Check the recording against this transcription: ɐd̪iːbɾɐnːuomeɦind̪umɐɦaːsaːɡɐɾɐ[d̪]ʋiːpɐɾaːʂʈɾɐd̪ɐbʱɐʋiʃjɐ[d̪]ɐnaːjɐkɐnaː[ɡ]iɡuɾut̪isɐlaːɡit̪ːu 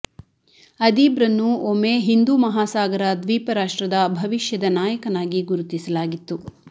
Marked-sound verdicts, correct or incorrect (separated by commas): correct, correct, correct